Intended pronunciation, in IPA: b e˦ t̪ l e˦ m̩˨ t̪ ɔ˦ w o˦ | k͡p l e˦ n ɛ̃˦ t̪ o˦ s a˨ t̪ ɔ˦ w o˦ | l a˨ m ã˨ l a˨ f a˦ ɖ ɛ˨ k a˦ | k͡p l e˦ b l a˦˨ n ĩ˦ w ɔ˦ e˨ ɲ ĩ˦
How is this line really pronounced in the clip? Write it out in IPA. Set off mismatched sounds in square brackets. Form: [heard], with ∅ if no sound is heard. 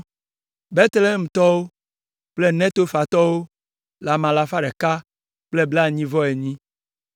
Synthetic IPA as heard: b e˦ t̪ l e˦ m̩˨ t̪ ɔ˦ w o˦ | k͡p l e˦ n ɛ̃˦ t̪ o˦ [f] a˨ t̪ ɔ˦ w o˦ | l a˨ m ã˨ l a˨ f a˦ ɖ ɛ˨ k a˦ | k͡p l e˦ b l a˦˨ [ɲ] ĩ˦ [v] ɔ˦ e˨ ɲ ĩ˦